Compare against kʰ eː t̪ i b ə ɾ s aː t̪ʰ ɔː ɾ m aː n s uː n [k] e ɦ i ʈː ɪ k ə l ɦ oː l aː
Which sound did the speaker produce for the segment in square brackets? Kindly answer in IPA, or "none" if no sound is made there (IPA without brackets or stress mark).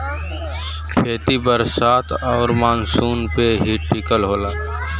p